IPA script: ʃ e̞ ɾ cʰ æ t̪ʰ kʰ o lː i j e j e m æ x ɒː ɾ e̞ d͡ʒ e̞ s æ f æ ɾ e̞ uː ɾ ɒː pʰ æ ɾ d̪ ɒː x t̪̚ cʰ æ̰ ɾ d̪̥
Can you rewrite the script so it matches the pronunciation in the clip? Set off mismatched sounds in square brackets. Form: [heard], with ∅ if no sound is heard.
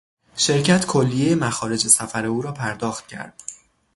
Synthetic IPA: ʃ e̞ ɾ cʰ æ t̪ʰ kʰ o lː i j e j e m æ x ɒː ɾ e̞ d͡ʒ e̞ s æ f æ ɾ e̞ uː ɾ ɒː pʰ æ ɾ d̪ ɒː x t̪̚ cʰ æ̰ ɾ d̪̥